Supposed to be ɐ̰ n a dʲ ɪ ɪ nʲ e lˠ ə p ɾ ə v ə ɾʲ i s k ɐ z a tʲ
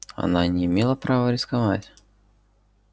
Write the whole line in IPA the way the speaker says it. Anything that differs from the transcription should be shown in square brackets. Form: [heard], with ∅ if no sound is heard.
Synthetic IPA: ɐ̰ n a [nʲ] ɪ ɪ [mʲ] e lˠ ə p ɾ [a] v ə ɾʲ [ɪ] s k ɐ [v] a tʲ